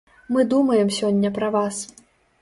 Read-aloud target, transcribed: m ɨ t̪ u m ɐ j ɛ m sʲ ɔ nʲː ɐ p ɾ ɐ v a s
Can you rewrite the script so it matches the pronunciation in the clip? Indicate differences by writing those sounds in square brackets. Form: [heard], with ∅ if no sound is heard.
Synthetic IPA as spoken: m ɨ [d̪] u m ɐ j ɛ m sʲ ɔ nʲː ɐ p ɾ ɐ v a s